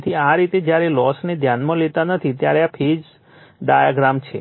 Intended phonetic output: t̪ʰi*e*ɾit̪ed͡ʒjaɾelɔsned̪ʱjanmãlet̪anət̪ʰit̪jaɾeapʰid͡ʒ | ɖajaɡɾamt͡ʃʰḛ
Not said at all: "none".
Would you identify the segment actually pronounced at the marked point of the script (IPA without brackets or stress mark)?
a